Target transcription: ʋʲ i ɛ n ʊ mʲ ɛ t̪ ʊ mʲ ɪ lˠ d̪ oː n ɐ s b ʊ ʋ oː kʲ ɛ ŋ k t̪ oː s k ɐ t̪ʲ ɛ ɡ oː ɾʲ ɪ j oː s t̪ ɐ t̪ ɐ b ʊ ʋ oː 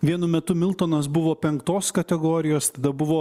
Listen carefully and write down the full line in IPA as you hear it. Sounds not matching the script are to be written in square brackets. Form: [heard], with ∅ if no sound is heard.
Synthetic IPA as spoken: ʋʲ i ɛ n ʊ mʲ ɛ t̪ ʊ mʲ ɪ lˠ [t̪] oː n ɐ s b ʊ ʋ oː [pʲ] ɛ ŋ k t̪ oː s k ɐ t̪ʲ ɛ ɡ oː ɾʲ ɪ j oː s t̪ ɐ [d̪] ɐ b ʊ ʋ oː

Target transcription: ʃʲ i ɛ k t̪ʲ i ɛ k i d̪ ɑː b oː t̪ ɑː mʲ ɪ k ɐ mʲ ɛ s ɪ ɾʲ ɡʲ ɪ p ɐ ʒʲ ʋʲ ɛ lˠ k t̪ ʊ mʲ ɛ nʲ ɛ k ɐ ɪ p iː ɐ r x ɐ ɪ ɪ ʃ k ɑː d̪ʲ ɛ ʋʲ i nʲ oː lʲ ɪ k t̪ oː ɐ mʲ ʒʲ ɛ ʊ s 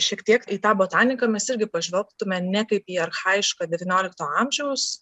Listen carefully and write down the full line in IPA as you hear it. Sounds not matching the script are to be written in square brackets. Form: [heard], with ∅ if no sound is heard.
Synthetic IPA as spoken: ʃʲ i ɛ k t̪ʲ i ɛ k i [t̪] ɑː b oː t̪ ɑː [nʲ] ɪ k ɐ mʲ ɛ s ɪ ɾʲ ɡʲ ɪ p ɐ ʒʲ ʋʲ ɛ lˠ k t̪ ʊ mʲ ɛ nʲ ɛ k ɐ ɪ p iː ɐ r x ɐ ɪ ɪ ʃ k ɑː d̪ʲ ɛ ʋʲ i nʲ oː lʲ ɪ k t̪ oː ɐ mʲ ʒʲ ɛ ʊ s

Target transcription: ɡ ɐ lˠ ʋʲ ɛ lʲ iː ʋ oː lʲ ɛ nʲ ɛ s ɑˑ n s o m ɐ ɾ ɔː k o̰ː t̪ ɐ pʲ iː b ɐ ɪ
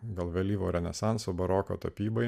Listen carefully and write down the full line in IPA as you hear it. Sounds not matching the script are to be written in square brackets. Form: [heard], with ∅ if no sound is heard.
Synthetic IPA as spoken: ɡ ɐ lˠ ʋʲ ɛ lʲ iː ʋ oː [ɾʲ] ɛ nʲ ɛ s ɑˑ n s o [b] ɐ ɾ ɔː k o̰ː t̪ ɐ pʲ iː b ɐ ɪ

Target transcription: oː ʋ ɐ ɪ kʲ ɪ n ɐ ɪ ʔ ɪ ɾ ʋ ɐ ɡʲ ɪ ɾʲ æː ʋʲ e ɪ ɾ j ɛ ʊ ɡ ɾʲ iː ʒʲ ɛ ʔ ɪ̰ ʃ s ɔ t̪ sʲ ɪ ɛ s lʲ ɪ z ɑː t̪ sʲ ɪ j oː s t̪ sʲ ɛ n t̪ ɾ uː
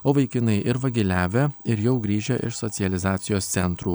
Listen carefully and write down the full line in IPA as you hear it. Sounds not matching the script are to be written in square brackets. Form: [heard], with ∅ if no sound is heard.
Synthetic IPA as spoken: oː ʋ ɐ ɪ kʲ ɪ n ɐ ɪ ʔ ɪ ɾ ʋ ɐ ɡʲ ɪ [lʲ] æː ʋʲ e ɪ ɾ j ɛ ʊ ɡ ɾʲ iː ʒʲ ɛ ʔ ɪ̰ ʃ s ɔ t̪ sʲ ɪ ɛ [∅] lʲ ɪ z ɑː t̪ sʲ ɪ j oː s t̪ sʲ ɛ n t̪ ɾ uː

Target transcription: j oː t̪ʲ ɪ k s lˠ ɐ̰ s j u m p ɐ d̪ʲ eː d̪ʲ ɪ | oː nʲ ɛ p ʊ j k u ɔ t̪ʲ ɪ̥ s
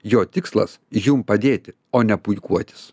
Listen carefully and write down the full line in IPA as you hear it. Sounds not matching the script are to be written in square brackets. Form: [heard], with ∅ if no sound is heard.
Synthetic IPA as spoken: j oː t̪ʲ ɪ k s lˠ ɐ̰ s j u m p ɐ d̪ʲ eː [t̪ʲ] ɪ | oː nʲ ɛ p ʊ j k u ɔ t̪ʲ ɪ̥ s

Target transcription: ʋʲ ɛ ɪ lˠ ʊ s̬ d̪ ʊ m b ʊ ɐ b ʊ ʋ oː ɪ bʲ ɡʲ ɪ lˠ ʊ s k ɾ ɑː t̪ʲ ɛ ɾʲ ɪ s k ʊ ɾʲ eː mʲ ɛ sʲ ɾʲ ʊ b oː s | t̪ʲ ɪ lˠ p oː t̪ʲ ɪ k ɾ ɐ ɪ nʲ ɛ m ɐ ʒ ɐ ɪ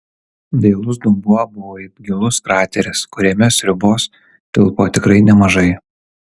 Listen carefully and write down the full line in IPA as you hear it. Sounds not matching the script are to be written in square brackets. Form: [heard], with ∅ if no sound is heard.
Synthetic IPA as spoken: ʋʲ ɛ ɪ lˠ ʊ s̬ d̪ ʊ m b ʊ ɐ b ʊ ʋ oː ɪ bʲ ɡʲ ɪ lˠ ʊ s k ɾ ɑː t̪ʲ ɛ ɾʲ ɪ s k ʊ ɾʲ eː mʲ ɛ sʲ ɾʲ ʊ b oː s | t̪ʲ ɪ lˠ p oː t̪ʲ ɪ k ɾ ɐ ɪ nʲ ɛ m ɐ ʒ ɐ ɪ

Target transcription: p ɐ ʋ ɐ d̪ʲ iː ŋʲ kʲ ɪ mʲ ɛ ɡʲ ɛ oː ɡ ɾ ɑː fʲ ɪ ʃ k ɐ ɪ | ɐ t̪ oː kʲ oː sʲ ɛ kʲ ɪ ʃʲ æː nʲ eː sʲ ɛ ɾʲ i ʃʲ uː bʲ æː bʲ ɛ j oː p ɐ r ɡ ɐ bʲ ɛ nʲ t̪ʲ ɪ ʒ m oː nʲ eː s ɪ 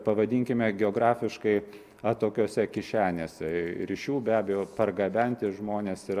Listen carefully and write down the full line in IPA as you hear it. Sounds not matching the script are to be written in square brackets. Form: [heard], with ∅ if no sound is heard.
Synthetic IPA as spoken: p ɐ ʋ ɐ d̪ʲ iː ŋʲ kʲ ɪ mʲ ɛ ɡʲ ɛ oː ɡ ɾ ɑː fʲ ɪ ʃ k ɐ ɪ | ɐ t̪ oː kʲ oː sʲ ɛ kʲ ɪ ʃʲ æː nʲ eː sʲ ɛ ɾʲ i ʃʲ uː bʲ æː bʲ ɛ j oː p ɐ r ɡ ɐ bʲ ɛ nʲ t̪ʲ ɪ ʒ m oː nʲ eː s ɪ

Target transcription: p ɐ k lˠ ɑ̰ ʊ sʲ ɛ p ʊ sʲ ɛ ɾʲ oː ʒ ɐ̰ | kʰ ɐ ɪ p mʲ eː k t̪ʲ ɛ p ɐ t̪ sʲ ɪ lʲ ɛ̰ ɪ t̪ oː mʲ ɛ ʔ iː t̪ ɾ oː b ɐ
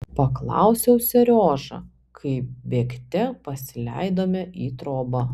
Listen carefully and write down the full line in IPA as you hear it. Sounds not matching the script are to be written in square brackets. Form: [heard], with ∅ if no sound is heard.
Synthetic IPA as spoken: p ɐ k lˠ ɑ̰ ʊ sʲ ɛ [∅] ʊ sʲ ɛ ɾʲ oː ʒ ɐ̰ | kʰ ɐ ɪ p [bʲ] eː k t̪ʲ ɛ p ɐ [∅] sʲ ɪ lʲ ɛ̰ ɪ [d̪] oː mʲ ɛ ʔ iː t̪ ɾ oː b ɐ

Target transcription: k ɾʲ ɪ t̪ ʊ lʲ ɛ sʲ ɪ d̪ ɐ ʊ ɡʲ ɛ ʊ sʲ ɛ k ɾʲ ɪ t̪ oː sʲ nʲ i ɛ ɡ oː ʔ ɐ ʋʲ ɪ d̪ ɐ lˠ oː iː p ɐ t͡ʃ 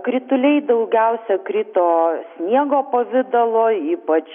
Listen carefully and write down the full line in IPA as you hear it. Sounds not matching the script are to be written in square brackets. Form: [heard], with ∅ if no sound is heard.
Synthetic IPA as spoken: k ɾʲ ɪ t̪ ʊ lʲ ɛ [∅] ɪ d̪ ɐ ʊ ɡʲ ɛ ʊ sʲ ɛ k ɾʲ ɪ t̪ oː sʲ nʲ i ɛ ɡ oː [p] ɐ ʋʲ ɪ d̪ ɐ lˠ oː iː p ɐ t͡ʃ

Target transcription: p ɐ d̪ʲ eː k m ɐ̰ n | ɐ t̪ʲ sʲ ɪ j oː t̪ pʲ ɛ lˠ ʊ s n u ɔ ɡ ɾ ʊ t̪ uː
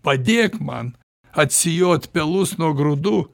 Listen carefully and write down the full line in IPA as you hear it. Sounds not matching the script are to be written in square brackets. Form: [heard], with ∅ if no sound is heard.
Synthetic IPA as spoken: p ɐ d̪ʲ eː k m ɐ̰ n | ɐ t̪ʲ sʲ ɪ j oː t̪ pʲ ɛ lˠ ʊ s n u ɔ ɡ ɾ ʊ [d̪] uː

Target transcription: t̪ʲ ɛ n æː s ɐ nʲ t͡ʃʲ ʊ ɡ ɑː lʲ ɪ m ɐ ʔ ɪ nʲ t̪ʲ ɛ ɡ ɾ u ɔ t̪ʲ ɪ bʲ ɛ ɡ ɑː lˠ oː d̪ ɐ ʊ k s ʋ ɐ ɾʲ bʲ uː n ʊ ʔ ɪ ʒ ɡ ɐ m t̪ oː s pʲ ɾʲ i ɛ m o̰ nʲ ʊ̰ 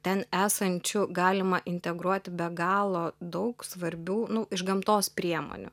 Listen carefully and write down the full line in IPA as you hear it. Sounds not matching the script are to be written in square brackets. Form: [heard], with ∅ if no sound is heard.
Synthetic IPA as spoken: t̪ʲ ɛ n æː s ɐ nʲ t͡ʃʲ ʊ ɡ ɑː lʲ ɪ m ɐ ʔ ɪ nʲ t̪ʲ ɛ ɡ ɾ u ɔ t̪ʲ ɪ bʲ ɛ ɡ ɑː lˠ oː d̪ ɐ ʊ k s ʋ ɐ ɾʲ bʲ uː n ʊ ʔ ɪ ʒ ɡ ɐ m t̪ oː s pʲ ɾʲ i ɛ m o̰ nʲ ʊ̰

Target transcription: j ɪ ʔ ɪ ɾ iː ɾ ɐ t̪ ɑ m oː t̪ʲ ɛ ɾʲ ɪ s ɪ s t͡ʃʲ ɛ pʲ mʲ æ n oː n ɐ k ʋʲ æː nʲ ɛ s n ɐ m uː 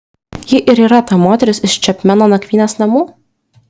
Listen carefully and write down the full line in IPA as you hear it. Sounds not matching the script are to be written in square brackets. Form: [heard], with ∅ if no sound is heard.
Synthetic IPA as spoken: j ɪ ʔ ɪ ɾ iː ɾ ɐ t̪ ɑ m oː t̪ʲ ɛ ɾʲ ɪ s ɪ [ʃ] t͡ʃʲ ɛ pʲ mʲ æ n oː n ɐ k ʋʲ [iː] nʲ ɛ s n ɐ m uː

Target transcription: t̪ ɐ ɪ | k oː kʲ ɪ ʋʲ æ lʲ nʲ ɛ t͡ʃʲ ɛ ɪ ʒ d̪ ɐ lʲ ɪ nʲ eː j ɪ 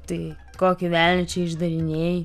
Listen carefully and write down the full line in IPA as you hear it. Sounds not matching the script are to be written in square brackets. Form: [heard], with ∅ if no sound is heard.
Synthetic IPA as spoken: t̪ ɐ ɪ | k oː kʲ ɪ ʋʲ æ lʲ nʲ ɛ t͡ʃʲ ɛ ɪ ʒ d̪ ɐ [ɾʲ] ɪ nʲ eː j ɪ

